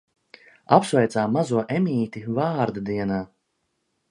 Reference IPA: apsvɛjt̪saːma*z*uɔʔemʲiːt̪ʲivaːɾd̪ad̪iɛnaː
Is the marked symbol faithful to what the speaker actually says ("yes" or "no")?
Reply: yes